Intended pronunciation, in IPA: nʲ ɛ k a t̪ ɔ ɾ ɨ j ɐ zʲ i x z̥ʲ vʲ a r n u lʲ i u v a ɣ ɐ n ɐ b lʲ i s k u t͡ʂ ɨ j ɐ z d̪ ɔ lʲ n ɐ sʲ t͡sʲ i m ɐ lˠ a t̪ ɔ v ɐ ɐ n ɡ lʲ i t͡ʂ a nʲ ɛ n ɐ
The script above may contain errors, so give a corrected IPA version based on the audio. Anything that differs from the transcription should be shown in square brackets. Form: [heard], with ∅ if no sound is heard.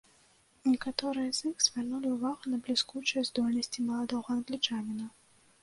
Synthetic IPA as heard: nʲ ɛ k a t̪ ɔ ɾ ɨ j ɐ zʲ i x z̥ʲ vʲ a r n u lʲ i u v a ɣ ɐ n ɐ b lʲ i s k u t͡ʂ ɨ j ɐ z d̪ ɔ lʲ n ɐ sʲ t͡sʲ i m ɐ lˠ a [d̪] ɔ [ɣ] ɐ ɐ n ɡ lʲ i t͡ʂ a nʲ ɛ n ɐ